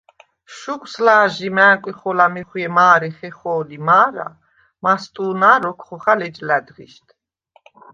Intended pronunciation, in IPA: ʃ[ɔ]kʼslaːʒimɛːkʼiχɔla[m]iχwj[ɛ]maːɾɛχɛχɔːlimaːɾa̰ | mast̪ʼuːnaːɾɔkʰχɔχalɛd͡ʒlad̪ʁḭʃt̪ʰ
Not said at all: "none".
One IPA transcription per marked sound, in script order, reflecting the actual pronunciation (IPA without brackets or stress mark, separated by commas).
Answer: u, m, ɛ